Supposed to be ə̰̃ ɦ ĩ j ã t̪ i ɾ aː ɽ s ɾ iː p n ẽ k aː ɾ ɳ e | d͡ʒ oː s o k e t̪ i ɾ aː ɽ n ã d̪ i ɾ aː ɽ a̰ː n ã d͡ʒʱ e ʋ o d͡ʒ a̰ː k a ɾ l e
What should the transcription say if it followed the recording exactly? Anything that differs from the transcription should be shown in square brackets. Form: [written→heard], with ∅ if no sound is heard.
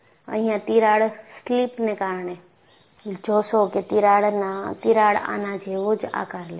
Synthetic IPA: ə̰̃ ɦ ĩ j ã t̪ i ɾ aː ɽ s [ɾ→l] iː p n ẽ k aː ɾ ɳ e | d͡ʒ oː s o k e t̪ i ɾ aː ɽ n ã [d̪→t̪] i ɾ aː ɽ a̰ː n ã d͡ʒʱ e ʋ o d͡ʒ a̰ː k a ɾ l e